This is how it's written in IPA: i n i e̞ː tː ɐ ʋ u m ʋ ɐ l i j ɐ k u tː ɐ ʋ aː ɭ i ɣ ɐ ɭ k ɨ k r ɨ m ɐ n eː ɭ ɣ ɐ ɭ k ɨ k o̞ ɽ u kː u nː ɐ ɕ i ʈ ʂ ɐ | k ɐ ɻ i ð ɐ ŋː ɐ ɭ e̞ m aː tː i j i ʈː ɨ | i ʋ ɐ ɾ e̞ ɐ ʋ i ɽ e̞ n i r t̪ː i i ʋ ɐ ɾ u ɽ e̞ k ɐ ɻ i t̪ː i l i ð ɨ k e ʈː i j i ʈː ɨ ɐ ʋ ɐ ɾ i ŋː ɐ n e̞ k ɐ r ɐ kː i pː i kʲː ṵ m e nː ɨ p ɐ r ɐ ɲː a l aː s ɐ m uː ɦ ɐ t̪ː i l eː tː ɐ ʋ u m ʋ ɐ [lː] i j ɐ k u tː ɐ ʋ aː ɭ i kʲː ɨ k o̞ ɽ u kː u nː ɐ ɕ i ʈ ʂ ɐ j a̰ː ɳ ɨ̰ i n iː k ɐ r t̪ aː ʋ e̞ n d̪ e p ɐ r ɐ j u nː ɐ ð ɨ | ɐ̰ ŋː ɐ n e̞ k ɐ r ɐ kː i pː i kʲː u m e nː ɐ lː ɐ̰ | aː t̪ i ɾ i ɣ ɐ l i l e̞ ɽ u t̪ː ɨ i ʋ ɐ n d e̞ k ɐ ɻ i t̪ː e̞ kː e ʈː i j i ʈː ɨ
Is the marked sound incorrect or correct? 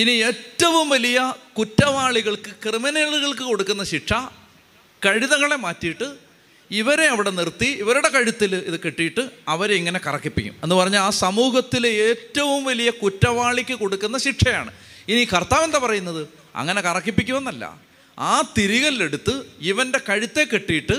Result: incorrect